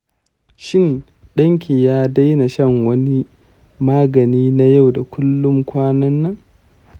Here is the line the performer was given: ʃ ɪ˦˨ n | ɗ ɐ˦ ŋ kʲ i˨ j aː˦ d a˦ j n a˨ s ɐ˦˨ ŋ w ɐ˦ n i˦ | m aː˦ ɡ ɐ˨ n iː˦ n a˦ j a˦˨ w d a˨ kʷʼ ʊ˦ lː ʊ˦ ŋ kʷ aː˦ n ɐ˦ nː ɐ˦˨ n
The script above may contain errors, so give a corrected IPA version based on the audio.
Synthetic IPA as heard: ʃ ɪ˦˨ n | ɗ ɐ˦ ŋ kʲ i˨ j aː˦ d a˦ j n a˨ ʃ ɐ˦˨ ŋ w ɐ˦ n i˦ | m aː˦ ɡ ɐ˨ n iː˦ n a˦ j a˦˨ w d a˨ kʷ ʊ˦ lː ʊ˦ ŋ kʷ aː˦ n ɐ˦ nː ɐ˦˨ ŋ